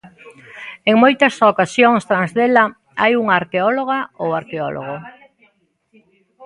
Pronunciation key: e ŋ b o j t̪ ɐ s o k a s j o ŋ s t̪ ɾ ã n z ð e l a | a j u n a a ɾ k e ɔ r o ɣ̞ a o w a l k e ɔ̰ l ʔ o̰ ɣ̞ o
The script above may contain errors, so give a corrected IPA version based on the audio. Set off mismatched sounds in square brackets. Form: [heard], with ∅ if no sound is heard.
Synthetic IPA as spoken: e ŋ [m] o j t̪ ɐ s o k a s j o ŋ s t̪ ɾ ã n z ð e l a | a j u [ŋ] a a ɾ k e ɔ [l] o ɣ̞ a o w a [ɾ] k e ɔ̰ l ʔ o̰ ɣ̞ o

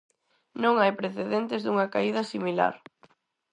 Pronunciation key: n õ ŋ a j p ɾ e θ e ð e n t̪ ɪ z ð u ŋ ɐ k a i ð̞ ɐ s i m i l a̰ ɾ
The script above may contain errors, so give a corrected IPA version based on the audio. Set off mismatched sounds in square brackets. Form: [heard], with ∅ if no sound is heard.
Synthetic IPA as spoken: n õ ŋ a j p ɾ e θ e ð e n t̪ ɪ z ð u ŋ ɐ k a i ð̞ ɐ s i m i l a̰ ɾ

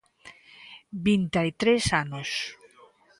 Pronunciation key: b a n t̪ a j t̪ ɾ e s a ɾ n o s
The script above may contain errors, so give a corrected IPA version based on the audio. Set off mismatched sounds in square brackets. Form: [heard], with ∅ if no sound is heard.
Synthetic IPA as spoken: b [i] n t̪ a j t̪ ɾ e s a [∅] n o s

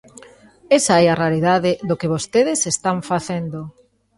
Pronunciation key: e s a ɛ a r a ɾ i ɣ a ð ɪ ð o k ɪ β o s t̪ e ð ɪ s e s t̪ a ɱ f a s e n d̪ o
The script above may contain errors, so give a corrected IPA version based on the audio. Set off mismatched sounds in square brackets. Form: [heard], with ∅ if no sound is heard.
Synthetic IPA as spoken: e s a ɛ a r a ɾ i [ð] a ð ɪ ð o k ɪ β o s t̪ e ð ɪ s e s t̪ a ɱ f a [θ] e n d̪ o

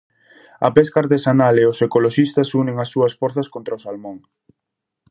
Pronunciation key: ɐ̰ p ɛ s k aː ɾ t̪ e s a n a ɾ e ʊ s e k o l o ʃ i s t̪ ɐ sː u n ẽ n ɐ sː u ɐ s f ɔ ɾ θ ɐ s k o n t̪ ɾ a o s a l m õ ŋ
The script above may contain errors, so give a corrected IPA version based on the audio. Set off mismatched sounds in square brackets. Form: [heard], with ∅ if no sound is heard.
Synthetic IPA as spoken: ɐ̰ p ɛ s k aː ɾ t̪ e s a n a [l] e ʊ s e k o l o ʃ i s t̪ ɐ [s] u n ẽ [ŋ] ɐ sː u ɐ s f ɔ ɾ θ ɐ s k o n t̪ ɾ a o s a l m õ ŋ

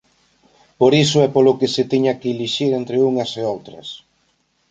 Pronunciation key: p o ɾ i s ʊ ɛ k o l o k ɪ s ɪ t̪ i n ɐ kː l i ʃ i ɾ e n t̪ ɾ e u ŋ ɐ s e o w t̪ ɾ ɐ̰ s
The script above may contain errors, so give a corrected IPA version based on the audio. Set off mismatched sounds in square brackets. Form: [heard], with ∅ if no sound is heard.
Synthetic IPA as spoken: p o ɾ i s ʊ ɛ [p] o l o k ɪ s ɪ t̪ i [ɲ] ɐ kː l i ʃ i ɾ e n t̪ ɾ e u ŋ ɐ s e o w t̪ ɾ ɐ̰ s

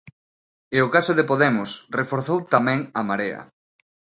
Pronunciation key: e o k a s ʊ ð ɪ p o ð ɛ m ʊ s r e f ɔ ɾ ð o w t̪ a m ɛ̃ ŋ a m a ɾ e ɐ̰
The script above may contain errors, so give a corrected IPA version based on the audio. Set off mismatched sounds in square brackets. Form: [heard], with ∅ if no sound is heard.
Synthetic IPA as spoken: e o k a s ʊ ð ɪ p o ð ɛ m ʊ s r e f [o] ɾ [θ] o w t̪ a m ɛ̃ ŋ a m a ɾ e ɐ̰

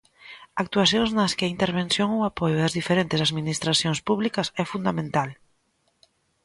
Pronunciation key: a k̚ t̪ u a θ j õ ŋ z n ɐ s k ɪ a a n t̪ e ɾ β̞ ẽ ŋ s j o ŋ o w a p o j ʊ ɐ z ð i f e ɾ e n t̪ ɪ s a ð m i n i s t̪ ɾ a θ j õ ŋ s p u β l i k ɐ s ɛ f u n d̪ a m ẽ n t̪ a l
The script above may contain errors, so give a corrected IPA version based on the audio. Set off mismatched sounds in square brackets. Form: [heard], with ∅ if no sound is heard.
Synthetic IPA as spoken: a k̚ t̪ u a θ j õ ŋ z n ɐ s k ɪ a [i] n t̪ e ɾ β̞ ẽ [n] s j o ŋ o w a p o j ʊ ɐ z ð i f e ɾ e n t̪ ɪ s a ð m i n i s t̪ ɾ a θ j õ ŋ s p u β l i k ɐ s ɛ f u n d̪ a m ẽ n t̪ a l

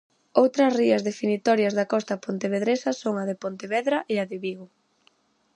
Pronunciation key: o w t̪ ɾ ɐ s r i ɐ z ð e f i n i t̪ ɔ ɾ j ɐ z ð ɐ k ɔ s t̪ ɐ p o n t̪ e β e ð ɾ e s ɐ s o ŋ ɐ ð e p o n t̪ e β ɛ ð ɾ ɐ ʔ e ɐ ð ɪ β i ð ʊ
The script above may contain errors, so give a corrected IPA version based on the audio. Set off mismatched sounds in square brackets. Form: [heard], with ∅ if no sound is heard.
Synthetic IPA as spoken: o w t̪ ɾ ɐ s r i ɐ z ð e f i n i t̪ ɔ ɾ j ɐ z ð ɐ k ɔ s t̪ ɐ p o n t̪ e β e ð ɾ e s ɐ s o ŋ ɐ ð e p o n t̪ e β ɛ ð ɾ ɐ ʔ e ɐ ð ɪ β i [ɣ] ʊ

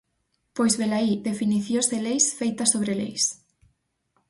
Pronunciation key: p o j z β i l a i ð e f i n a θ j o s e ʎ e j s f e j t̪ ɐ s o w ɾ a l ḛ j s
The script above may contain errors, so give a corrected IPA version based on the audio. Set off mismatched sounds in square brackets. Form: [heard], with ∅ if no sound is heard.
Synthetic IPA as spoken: p o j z β [e] l a i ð e f i n [i] θ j o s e [l] e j s f e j t̪ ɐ s o [β] ɾ [e] l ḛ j s

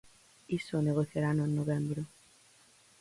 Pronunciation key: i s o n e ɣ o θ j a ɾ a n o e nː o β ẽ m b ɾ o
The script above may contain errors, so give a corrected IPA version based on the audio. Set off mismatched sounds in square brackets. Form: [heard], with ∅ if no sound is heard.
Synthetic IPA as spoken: i s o n e ɣ o θ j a ɾ a n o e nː o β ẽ m b ɾ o

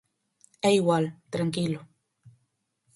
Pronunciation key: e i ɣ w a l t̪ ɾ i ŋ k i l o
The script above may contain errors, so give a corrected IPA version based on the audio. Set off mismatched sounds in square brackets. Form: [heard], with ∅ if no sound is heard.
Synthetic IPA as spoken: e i ɣ w a l t̪ ɾ [a] ŋ k i l o

